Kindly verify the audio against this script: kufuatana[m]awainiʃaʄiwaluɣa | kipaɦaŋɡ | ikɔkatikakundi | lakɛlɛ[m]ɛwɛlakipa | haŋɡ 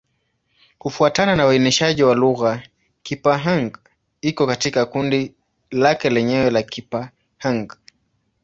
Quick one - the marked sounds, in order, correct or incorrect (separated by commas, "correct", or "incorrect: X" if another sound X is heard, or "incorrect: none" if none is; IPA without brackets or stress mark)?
incorrect: n, incorrect: ɲ